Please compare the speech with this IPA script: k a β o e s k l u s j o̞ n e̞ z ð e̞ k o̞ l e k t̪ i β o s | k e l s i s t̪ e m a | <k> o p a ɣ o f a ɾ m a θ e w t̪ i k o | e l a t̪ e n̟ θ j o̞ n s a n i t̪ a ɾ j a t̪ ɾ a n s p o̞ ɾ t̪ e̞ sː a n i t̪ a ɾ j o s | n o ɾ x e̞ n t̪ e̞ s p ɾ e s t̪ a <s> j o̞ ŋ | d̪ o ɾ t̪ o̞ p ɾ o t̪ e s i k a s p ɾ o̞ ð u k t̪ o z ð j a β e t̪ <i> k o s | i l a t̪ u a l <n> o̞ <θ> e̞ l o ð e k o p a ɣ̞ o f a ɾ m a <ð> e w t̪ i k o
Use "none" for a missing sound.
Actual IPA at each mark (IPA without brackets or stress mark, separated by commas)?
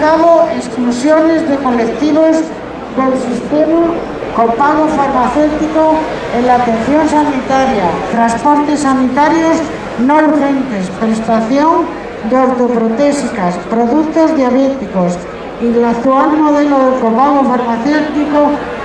k, θ, i, m, ð, θ